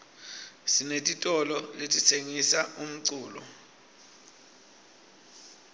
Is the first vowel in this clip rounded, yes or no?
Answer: no